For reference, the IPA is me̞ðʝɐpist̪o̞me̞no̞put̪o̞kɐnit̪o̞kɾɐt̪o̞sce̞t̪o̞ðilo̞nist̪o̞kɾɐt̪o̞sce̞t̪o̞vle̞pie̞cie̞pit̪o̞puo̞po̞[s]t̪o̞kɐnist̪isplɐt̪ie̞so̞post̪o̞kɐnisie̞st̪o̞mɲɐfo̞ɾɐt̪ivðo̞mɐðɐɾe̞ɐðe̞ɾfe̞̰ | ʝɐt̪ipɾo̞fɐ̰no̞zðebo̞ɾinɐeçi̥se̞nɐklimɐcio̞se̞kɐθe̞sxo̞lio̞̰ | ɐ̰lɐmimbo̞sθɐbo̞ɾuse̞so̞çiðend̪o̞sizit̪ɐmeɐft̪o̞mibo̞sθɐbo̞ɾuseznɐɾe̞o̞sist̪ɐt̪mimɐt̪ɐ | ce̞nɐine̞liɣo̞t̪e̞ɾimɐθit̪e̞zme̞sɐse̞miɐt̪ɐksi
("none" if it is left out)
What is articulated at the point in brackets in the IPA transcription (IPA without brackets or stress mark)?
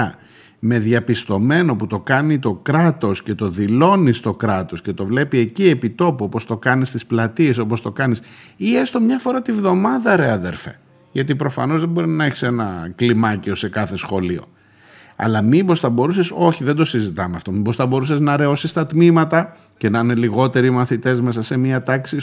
s